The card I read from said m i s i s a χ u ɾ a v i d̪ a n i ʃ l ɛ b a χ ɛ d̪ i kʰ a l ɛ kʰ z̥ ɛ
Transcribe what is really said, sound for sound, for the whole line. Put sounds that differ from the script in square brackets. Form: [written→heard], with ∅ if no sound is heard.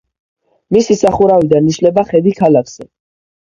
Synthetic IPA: m i s i s a χ u ɾ a v i d̪ a n i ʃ l ɛ b a χ ɛ d̪ i kʰ a l [ɛ→a] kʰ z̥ ɛ